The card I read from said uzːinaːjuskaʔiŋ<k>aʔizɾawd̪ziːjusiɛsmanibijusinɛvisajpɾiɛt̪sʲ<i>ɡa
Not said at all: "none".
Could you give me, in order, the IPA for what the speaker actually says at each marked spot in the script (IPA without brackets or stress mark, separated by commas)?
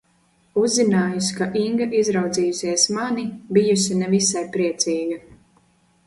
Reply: ɡ, iː